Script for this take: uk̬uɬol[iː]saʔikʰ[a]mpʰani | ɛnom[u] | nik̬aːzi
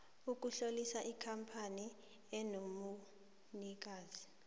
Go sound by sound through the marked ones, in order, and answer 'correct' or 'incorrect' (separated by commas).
incorrect, correct, correct